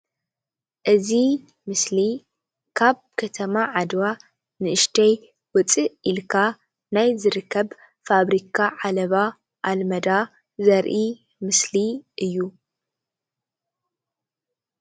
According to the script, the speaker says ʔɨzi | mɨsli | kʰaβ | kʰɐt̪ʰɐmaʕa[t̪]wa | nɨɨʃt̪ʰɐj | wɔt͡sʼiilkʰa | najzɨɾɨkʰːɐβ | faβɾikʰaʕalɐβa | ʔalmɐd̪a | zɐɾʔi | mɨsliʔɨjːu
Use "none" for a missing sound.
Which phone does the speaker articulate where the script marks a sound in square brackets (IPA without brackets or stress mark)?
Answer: d̪